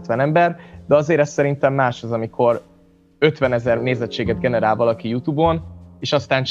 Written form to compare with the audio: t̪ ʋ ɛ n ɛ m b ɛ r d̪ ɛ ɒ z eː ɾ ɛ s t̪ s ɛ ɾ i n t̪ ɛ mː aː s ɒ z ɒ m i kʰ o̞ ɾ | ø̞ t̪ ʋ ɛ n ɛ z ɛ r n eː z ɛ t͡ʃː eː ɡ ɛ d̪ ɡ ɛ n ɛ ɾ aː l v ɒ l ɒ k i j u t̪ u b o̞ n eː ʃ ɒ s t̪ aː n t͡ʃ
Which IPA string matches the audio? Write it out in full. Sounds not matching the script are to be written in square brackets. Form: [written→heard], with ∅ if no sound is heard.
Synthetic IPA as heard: t̪ ʋ ɛ n ɛ m b ɛ r d̪ ɛ ɒ z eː ɾ ɛ s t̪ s ɛ ɾ i n t̪ ɛ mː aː [s→ʃ] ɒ z ɒ m i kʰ o̞ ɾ | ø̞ t̪ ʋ ɛ n ɛ z ɛ r n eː z ɛ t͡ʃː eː ɡ ɛ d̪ ɡ ɛ n ɛ ɾ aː l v ɒ l ɒ k i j u t̪ u b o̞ n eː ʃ ɒ s t̪ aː n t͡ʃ